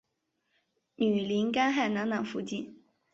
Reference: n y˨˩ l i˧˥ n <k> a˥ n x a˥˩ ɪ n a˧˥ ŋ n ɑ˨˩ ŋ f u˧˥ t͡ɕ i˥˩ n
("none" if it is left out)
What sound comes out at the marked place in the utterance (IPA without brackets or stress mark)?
k